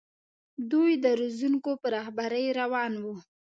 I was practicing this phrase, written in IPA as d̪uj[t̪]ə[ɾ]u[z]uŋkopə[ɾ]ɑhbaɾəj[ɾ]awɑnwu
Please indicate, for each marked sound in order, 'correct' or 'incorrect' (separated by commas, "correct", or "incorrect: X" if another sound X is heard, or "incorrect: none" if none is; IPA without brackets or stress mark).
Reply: incorrect: d̪, correct, correct, correct, correct